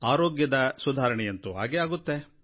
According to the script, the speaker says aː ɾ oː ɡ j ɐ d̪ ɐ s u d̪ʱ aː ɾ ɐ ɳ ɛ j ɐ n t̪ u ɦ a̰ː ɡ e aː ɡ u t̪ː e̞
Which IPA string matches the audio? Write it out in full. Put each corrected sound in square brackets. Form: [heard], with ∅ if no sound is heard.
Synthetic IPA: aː ɾ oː ɡ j ɐ d̪ ɐ s u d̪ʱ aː ɾ ɐ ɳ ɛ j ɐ n t̪ u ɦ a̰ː ɡ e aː ɡ u t̪ː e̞